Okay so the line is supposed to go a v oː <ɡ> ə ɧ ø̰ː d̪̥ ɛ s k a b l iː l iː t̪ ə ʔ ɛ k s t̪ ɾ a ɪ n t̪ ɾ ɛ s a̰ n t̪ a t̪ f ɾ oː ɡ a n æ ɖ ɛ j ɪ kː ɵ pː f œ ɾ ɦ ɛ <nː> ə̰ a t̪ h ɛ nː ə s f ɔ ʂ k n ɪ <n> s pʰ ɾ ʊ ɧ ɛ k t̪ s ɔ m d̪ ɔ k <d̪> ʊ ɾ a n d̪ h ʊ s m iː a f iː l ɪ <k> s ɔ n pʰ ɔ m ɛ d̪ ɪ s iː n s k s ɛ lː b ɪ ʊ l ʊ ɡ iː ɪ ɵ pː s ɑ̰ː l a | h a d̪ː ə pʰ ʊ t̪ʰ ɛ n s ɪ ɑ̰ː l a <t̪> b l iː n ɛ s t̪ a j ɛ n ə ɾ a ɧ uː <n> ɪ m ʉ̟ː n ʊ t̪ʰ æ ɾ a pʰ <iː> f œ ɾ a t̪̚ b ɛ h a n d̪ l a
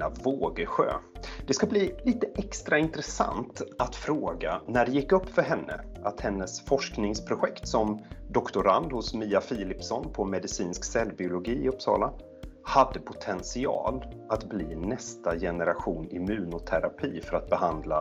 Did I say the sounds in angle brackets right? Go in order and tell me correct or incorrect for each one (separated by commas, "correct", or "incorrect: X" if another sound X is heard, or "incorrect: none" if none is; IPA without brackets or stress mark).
correct, correct, incorrect: ŋ, incorrect: t̪, incorrect: p, correct, correct, correct